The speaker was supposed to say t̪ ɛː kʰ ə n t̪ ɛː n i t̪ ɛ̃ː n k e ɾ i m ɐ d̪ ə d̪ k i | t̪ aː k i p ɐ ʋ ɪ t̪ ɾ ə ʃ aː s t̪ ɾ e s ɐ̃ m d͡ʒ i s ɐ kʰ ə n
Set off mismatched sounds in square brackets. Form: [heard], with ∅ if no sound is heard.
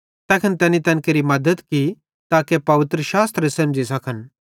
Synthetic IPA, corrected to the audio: t̪ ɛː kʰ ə n t̪ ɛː n i t̪ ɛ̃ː n k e ɾ i m ɐ d̪ ə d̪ k i | t̪ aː k [e] p ɐ ʋ ɪ t̪ ɾ ə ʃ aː s t̪ ɾ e s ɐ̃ m d͡ʒ i s ɐ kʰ ə n

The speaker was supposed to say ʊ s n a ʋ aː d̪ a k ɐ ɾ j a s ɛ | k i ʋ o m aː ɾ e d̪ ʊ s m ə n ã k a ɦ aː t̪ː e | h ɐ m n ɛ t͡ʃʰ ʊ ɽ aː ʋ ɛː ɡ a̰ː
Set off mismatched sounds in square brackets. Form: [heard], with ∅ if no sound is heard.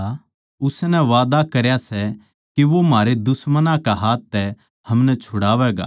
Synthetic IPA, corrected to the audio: ʊ s n [ɛ] ʋ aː d̪ a k ɐ ɾ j a s ɛ | k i ʋ o m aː ɾ e d̪ ʊ s m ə n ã k a ɦ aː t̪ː [ɛ] | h ɐ m n ɛ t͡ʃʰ ʊ ɽ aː ʋ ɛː ɡ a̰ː

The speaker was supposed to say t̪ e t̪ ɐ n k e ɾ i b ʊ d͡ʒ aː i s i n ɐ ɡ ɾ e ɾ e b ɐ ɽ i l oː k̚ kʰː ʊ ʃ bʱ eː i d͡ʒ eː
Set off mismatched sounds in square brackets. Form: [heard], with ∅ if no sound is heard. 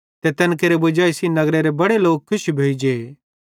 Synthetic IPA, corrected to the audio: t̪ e t̪ ɐ n k e ɾ [e] b ʊ d͡ʒ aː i s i n ɐ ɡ ɾ e ɾ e b ɐ ɽ [e] l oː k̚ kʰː ʊ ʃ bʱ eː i d͡ʒ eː

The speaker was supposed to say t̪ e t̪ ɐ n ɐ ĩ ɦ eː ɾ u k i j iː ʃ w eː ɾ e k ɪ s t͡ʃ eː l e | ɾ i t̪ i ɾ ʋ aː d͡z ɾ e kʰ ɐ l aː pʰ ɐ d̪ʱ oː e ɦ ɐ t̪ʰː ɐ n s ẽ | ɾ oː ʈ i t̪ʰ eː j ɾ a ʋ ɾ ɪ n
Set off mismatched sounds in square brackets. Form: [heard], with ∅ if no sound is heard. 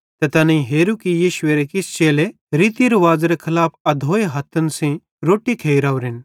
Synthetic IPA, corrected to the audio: t̪ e t̪ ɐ n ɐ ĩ ɦ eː ɾ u k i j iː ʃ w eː ɾ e k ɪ s t͡ʃ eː l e | ɾ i t̪ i ɾ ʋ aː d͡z ɾ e kʰ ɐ l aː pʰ ɐ d̪ʱ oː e ɦ ɐ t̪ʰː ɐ n s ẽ | ɾ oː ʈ i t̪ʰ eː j ɾ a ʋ ɾ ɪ n

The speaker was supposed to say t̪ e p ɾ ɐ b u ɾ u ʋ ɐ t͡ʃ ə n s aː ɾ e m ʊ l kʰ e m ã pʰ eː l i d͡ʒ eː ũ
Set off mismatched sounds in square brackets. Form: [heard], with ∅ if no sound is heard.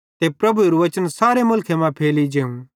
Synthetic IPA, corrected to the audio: t̪ e p ɾ ɐ b u ɾ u ʋ ɐ t͡ʃ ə n s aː ɾ e m ʊ l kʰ e m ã pʰ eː l i d͡ʒ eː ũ

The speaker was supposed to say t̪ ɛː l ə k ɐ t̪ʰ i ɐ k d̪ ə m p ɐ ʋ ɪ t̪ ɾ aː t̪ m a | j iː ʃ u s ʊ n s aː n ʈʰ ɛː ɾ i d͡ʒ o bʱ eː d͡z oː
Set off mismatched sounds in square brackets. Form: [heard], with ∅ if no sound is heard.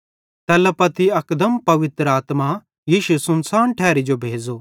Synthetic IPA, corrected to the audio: t̪ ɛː l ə [p] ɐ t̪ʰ i ɐ k d̪ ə m p ɐ ʋ ɪ t̪ ɾ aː t̪ m a | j iː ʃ u s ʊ n s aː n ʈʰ ɛː ɾ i d͡ʒ o bʱ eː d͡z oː

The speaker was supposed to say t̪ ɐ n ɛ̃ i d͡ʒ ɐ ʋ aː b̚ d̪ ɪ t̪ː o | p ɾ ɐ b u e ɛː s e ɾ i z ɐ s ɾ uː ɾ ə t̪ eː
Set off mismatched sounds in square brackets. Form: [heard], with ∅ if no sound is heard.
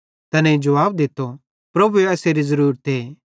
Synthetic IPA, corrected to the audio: t̪ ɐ n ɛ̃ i d͡ʒ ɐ ʋ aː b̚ d̪ ɪ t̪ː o | p ɾ ɐ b u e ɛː s e ɾ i z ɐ [∅] ɾ uː ɾ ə t̪ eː

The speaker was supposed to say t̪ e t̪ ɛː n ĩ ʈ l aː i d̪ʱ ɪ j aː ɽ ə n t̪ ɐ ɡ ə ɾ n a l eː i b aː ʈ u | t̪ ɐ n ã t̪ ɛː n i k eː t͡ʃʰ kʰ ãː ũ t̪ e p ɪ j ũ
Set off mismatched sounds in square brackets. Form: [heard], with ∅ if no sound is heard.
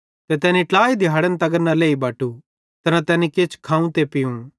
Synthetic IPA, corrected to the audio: t̪ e t̪ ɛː n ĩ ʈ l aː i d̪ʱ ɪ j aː ɽ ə n t̪ ɐ ɡ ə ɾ n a l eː i b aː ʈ u | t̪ ɐ n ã t̪ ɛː n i k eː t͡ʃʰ kʰ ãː ũ t̪ e p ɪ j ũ

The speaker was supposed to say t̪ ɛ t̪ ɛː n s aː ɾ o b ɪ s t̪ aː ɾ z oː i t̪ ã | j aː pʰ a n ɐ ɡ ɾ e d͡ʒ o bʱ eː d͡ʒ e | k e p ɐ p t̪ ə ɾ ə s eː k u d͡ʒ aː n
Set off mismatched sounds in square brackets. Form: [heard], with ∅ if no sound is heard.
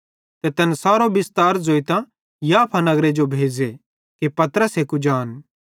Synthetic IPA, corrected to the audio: t̪ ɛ t̪ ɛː n s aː ɾ o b ɪ s t̪ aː ɾ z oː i t̪ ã | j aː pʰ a n ɐ ɡ ɾ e d͡ʒ o bʱ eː d͡ʒ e | k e p ɐ [∅] t̪ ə ɾ ə s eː k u d͡ʒ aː n

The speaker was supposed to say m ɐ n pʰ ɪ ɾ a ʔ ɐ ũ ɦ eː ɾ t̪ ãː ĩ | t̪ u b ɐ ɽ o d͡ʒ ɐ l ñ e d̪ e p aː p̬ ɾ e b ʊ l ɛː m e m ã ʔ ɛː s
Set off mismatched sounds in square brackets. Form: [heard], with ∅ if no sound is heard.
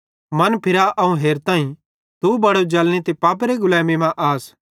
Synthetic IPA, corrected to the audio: m ɐ n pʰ ɪ ɾ a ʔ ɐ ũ ɦ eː ɾ t̪ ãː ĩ | t̪ u b ɐ ɽ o d͡ʒ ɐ l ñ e [t̪] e p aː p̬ ɾ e [ɡ] ʊ l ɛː m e m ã ʔ [aː] s

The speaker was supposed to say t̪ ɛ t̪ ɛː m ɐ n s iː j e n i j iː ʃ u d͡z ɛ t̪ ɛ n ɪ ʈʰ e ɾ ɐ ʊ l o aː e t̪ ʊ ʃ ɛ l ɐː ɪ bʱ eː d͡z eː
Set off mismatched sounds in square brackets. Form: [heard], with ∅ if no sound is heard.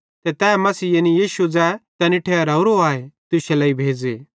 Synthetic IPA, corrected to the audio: t̪ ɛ t̪ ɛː m ɐ [∅] s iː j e n i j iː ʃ u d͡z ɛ t̪ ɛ n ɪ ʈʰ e ɾ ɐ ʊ [ɾ] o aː e t̪ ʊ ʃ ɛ l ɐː [i] bʱ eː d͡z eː

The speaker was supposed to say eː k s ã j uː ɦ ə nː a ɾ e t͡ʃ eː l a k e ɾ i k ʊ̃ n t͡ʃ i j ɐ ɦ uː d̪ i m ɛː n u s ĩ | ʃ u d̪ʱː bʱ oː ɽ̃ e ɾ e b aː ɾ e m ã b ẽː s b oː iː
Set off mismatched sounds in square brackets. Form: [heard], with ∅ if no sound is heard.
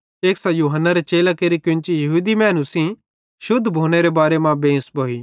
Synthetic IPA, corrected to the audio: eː k s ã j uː ɦ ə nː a ɾ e t͡ʃ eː l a k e ɾ i k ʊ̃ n t͡ʃ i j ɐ ɦ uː d̪ i m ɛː n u s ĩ | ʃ [ʊ] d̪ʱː bʱ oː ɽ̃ e ɾ e b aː ɾ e m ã b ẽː s b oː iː

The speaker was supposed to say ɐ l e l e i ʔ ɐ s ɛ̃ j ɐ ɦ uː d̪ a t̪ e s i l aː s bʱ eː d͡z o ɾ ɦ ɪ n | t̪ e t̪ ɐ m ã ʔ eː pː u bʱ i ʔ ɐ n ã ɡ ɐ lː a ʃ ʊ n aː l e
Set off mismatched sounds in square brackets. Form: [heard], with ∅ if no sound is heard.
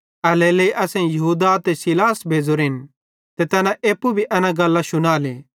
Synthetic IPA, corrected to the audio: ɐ l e l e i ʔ ɐ s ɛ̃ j ɐ ɦ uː d̪ a t̪ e s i l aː s bʱ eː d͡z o ɾ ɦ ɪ n | t̪ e t̪ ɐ [n] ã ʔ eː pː u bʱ i ʔ ɐ n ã ɡ ɐ lː a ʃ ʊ n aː l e

